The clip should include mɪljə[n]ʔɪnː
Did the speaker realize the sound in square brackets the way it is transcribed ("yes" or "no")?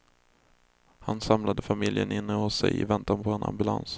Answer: yes